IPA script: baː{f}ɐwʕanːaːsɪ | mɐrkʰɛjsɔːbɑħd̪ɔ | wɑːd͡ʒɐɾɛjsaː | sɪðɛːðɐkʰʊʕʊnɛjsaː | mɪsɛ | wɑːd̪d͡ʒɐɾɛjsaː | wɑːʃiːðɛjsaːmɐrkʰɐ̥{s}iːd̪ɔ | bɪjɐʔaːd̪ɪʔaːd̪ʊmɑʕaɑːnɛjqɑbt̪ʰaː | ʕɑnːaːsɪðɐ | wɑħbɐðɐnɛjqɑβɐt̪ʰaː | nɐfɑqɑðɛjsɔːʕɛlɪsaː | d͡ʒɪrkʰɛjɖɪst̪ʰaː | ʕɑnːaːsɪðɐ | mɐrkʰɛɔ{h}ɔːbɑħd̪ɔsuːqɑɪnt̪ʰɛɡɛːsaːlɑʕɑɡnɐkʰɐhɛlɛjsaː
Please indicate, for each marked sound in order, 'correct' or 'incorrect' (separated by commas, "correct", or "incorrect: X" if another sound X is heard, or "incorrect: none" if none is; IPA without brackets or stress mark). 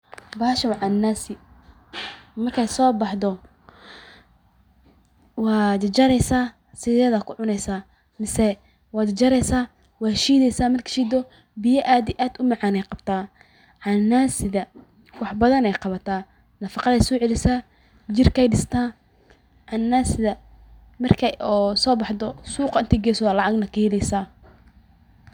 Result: incorrect: ʃ, incorrect: ʃ, incorrect: s